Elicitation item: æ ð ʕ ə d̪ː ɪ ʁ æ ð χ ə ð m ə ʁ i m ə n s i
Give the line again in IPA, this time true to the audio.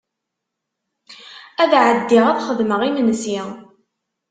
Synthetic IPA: æ ð ʕ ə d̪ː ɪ ʁ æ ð χ ə ð m ə ʁ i m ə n s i